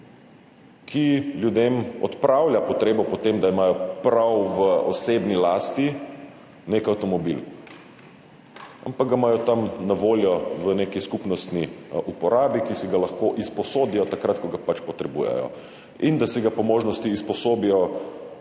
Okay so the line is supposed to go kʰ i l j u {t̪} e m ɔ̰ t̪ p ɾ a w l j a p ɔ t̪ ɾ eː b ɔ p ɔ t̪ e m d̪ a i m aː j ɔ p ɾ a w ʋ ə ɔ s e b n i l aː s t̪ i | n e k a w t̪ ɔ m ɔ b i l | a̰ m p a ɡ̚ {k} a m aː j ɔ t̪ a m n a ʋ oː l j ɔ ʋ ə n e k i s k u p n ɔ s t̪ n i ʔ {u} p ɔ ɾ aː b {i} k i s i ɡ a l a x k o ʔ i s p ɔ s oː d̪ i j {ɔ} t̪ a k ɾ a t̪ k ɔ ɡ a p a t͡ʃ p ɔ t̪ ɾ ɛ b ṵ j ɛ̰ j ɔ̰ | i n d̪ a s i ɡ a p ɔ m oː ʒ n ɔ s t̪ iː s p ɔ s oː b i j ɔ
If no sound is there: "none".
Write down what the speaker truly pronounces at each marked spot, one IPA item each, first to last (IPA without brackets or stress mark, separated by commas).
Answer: d̪, ɡ, u, i, ɔ